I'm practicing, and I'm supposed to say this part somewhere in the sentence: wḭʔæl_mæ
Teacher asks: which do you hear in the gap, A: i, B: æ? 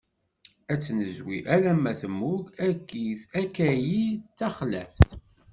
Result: B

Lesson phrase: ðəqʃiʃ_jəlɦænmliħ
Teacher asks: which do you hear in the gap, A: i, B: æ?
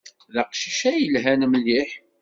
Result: B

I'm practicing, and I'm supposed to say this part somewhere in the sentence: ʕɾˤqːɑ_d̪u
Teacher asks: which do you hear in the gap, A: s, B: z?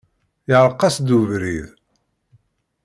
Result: A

